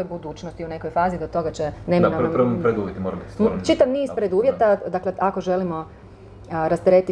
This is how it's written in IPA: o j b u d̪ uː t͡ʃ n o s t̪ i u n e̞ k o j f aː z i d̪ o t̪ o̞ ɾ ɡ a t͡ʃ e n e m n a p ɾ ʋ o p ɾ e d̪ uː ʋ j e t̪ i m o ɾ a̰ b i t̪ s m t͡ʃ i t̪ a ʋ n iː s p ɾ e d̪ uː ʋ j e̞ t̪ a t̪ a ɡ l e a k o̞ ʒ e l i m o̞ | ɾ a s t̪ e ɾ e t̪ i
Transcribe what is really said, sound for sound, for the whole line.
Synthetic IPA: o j b u d̪ uː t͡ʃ n o s t̪ i u n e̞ k o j f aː z i d̪ o t̪ o̞ ɡ a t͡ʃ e n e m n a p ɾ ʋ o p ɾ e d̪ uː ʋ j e t̪ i m o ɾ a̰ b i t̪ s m t͡ʃ i t̪ a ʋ n iː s p ɾ e d̪ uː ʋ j e̞ t̪ a d̪ a k l e a k o̞ ʒ e l i m o̞ | ɾ a s t̪ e ɾ e t̪ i